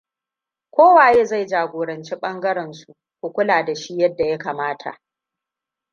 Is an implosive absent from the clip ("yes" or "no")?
no